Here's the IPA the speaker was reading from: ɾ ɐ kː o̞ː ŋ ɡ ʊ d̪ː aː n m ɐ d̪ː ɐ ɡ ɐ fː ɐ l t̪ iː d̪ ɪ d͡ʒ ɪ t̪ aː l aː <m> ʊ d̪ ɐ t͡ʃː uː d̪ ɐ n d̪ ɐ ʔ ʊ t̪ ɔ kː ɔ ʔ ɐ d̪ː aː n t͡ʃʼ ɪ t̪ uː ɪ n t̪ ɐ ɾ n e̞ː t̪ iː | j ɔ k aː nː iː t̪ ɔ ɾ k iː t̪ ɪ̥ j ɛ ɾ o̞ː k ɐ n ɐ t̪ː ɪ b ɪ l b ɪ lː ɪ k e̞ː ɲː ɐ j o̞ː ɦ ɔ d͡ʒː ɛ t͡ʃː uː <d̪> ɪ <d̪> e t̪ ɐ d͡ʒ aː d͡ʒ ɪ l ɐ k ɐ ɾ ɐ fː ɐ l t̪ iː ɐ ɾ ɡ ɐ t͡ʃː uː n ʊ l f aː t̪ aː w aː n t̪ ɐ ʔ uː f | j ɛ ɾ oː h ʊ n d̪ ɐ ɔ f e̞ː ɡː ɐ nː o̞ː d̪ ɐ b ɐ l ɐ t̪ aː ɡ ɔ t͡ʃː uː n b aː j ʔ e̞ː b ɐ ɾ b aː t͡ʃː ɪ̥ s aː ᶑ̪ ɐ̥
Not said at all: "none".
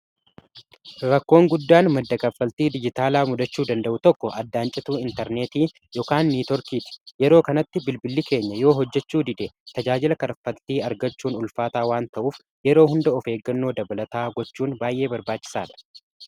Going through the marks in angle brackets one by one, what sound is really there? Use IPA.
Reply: m, d̪, d̪

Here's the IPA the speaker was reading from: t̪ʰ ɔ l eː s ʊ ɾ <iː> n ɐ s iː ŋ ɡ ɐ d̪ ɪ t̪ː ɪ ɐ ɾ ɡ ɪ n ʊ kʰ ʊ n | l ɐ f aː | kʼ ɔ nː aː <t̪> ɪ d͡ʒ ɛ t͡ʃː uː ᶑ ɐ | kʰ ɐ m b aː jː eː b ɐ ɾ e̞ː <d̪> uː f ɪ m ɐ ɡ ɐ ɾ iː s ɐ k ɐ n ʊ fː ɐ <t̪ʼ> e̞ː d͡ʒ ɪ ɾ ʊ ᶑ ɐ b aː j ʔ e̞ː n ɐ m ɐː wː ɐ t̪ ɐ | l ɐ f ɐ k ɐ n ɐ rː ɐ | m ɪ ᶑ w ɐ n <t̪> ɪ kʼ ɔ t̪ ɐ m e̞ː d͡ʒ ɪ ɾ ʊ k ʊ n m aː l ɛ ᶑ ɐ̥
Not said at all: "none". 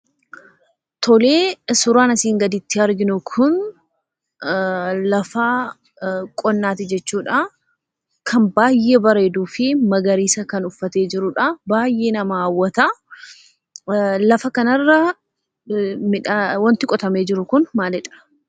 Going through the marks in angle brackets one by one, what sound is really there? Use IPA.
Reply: aː, t̪, d̪, t̪, t̪

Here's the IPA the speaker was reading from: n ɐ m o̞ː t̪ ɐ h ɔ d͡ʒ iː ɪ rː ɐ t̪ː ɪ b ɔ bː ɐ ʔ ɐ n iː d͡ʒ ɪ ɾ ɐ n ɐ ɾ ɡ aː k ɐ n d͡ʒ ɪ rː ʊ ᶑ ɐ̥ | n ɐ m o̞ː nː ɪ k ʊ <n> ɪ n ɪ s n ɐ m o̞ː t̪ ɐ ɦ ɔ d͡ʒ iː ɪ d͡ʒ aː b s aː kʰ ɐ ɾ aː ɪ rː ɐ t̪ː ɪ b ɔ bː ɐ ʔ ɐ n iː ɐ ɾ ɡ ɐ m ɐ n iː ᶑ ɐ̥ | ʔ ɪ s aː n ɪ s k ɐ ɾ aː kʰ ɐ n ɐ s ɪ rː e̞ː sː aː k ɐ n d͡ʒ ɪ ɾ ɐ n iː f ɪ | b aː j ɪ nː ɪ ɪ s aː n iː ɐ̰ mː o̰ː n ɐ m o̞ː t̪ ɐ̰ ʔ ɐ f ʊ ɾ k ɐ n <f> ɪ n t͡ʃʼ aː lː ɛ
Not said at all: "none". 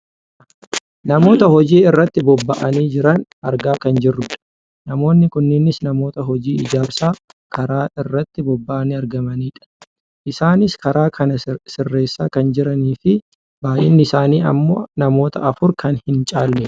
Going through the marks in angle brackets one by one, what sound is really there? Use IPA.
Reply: nː, h

